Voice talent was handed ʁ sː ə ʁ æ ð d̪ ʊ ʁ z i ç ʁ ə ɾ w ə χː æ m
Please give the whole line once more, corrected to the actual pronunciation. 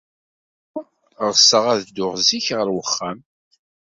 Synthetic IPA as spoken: ʁ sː ə ʁ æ ð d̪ ʊ ʁ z i ç ʁ ə ɾ w ə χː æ m